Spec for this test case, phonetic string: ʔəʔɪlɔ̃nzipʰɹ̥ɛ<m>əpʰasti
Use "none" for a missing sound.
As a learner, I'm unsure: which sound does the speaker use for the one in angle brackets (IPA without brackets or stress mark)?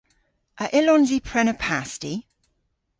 n